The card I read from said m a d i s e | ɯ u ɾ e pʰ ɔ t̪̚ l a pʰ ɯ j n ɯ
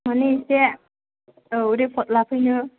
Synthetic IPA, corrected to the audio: m a n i s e | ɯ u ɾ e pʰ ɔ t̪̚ l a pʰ ɯ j n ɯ